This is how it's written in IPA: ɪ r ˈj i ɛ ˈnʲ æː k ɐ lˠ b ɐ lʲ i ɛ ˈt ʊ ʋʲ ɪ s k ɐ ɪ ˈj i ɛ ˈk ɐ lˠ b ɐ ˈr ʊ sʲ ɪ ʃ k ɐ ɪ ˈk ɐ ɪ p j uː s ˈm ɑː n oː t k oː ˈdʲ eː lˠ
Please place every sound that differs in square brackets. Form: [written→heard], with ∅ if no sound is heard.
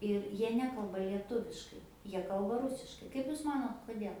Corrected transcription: ɪ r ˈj i ɛ ˈnʲ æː k ɐ lˠ b ɐ lʲ i ɛ ˈt ʊ ʋʲ ɪ [s→ʃ] k ɐ ɪ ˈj i ɛ ˈk ɐ lˠ b ɐ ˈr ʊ sʲ ɪ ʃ k ɐ ɪ ˈk ɐ ɪ p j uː s ˈm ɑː n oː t k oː ˈdʲ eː lˠ